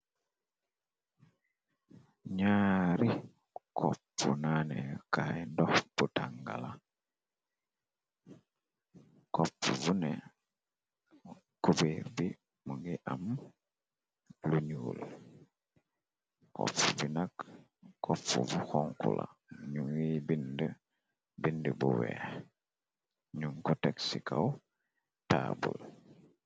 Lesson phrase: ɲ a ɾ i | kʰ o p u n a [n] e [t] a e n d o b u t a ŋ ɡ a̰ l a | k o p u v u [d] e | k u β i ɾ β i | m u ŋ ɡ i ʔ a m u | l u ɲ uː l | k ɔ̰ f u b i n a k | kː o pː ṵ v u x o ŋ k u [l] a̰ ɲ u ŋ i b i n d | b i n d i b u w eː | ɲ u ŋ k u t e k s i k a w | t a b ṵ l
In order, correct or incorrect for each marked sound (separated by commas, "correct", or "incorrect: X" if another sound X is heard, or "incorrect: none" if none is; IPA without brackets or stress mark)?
correct, incorrect: k, incorrect: n, correct